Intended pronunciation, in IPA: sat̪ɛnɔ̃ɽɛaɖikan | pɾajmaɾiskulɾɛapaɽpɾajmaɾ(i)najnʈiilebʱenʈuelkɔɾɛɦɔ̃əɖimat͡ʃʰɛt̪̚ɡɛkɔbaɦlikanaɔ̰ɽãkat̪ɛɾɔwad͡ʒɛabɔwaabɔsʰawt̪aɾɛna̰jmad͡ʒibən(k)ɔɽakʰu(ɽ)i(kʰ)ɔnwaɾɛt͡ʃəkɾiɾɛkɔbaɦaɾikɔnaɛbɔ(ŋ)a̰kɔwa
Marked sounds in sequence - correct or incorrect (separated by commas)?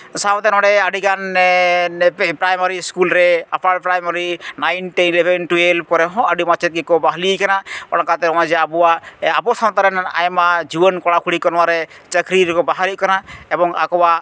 correct, correct, correct, incorrect, correct